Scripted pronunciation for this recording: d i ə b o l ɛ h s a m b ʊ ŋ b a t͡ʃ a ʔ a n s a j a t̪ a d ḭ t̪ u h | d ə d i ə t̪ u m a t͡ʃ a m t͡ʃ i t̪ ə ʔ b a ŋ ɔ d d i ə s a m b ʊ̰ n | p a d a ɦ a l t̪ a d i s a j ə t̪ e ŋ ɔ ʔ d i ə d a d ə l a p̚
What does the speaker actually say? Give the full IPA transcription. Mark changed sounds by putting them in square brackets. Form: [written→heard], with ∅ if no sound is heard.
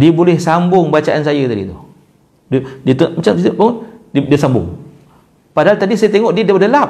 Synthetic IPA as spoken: d i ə b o l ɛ h s a m b ʊ ŋ b a t͡ʃ a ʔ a n s a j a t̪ a d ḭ t̪ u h | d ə d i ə t̪ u m a t͡ʃ a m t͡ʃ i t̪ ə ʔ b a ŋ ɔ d d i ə s a m b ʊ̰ [n→ŋ] | p a d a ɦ a l t̪ a d i s a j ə t̪ e ŋ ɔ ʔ d i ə d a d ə l a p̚